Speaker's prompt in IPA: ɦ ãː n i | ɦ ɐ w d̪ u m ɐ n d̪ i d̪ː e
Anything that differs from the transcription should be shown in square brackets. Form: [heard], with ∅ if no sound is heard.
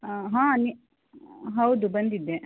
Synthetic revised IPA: ɦ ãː n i | ɦ ɐ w d̪ u [b] ɐ n d̪ i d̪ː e